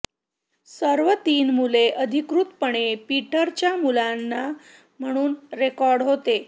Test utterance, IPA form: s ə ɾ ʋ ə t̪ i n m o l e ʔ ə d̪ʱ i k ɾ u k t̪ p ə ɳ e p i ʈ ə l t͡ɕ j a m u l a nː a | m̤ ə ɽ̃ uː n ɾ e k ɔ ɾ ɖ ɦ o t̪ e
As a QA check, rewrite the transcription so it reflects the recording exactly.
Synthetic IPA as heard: s ə ɾ ʋ ə t̪ iː n m u l e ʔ ə d̪ʱ i k ɾ u t̪ p ə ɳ e p i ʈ ə ɾ t͡ɕ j a m u l a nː a | m̤ ə ɽ̃ uː n ɾ e k ɔ ɾ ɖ ɦ o t̪ e

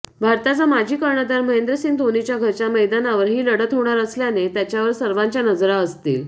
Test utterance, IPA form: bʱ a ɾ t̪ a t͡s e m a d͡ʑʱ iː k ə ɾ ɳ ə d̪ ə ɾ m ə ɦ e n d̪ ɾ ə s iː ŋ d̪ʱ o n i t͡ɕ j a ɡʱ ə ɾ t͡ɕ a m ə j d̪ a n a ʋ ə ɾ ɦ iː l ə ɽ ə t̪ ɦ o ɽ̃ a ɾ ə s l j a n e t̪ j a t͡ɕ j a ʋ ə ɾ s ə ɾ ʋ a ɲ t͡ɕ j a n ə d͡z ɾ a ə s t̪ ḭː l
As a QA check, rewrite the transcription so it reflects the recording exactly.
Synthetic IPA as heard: bʱ a ɾ t̪ a t͡s a m a d͡ʑʱ iː k ə ɾ ɳ ə d̪ a ɾ m ə ɦ e n d̪ ɾ ə s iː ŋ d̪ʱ o n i t͡ɕ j a ɡʱ ə ɾ t͡ɕ a m ə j d̪ a n a ʋ ə ɾ ɦ iː l ə ɽ ə t̪ ɦ o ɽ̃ a ɾ ə s l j a n e t̪ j a t͡ɕ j a ʋ ə ɾ s ə ɾ ʋ a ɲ t͡ɕ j a n ə d͡z ɾ a ə s t̪ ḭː l

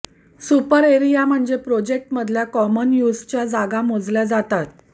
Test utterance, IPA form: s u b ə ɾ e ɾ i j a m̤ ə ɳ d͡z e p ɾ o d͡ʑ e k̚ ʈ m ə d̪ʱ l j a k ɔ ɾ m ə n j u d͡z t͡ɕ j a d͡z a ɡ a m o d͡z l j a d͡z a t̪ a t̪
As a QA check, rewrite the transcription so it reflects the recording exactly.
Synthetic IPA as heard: s u p ə ɾ e ɾ i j a m̤ ə ɳ d͡z e p ɾ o d͡ʑ e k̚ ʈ m ə d̪ʱ l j a k ɔ m ə n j u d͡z t͡ɕ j a d͡z a ɡ a m o d͡z l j a d͡z a t̪ a t̪

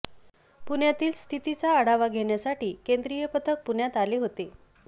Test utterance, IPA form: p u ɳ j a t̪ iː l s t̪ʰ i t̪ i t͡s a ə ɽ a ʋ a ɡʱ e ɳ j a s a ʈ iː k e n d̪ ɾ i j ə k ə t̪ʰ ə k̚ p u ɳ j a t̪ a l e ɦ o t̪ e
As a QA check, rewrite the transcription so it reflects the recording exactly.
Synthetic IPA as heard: p u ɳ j a t̪ iː l s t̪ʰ i t̪ i t͡s a ə ɽ a ʋ a ɡʱ e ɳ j a s a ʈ iː k e n d̪ ɾ i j ə p ə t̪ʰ ə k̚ p u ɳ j a t̪ a l e ɦ o t̪ e

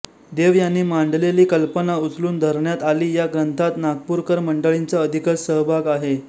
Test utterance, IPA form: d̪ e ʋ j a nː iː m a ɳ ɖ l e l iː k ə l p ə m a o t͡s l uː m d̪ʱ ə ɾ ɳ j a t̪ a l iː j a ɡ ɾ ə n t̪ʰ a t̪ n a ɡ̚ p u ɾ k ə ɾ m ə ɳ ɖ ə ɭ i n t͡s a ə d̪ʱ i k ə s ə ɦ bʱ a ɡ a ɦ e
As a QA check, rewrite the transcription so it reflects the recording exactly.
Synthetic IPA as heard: d̪ e ʋ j a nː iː m a ɳ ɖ l e l iː k ə l p ə n a u t͡s l uː n d̪ʱ ə ɾ ɳ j a t̪ a l iː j a ɡ ɾ ə n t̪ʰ a t̪ n a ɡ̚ p u ɾ k ə ɾ m ə ɳ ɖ ə ɭ i n t͡s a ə d̪ʱ i k ə s ə ɦ bʱ a ɡ a ɦ e

